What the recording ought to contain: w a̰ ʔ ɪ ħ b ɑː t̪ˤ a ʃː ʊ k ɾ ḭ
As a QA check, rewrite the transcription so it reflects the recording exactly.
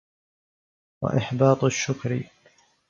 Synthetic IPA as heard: w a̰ ʔ ɪ ħ b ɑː t̪ˤ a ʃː ʊ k ɾ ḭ